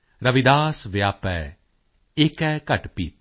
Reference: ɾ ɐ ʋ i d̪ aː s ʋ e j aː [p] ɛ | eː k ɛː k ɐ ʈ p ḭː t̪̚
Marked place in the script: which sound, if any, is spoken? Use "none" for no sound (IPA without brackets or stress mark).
p